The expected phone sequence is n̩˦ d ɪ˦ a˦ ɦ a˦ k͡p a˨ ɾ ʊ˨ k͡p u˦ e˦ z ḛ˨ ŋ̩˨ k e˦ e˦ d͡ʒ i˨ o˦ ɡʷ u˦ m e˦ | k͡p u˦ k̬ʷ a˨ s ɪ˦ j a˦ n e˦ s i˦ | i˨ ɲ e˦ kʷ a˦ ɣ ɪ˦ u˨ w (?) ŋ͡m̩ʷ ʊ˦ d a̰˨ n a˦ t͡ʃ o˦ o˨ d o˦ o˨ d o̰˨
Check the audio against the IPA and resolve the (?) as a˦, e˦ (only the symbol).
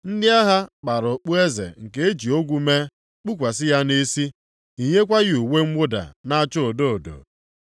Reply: e˦